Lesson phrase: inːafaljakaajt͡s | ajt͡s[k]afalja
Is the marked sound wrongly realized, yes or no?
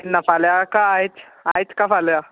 no